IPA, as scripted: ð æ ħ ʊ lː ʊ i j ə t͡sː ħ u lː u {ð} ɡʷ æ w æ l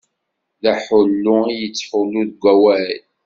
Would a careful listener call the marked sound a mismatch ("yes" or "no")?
no